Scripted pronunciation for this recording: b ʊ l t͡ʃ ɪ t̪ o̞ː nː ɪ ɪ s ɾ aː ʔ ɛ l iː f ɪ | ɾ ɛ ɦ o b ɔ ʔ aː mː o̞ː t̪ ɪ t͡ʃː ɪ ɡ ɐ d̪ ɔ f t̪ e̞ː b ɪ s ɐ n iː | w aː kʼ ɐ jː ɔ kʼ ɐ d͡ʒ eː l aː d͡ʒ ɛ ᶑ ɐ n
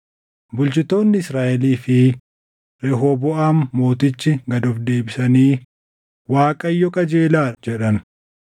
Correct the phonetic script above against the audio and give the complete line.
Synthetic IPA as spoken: b ʊ l t͡ʃ ɪ t̪ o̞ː nː ɪ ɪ s ɾ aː ʔ ɛ l iː f ɪ | ɾ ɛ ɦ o b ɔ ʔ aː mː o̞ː t̪ ɪ t͡ʃː ɪ ɡ ɐ d̪ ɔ f d̪ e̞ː b ɪ s ɐ n iː | w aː kʼ ɐ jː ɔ kʼ ɐ d͡ʒ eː l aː d͡ʒ ɛ ᶑ ɐ n